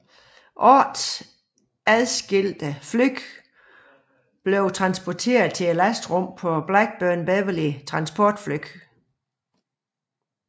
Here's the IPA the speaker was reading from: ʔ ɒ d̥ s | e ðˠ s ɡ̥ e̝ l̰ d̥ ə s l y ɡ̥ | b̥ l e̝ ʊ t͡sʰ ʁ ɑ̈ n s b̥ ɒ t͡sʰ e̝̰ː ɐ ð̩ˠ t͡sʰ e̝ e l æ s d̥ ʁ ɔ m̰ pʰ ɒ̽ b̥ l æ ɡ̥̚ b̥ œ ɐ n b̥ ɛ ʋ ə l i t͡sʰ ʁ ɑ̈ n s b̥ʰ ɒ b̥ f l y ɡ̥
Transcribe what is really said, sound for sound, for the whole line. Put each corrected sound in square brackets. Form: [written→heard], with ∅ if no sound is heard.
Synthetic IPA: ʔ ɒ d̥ s | [e→æ] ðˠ s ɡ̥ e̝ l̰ d̥ ə [s→f] l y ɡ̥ | b̥ l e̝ ʊ t͡sʰ ʁ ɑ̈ n s b̥ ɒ t͡sʰ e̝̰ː ɐ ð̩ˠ t͡sʰ e̝ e l æ s d̥ ʁ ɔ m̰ pʰ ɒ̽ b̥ l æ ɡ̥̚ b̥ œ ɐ n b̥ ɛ ʋ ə l i t͡sʰ ʁ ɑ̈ n s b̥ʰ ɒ [b̥→d̥] f l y ɡ̥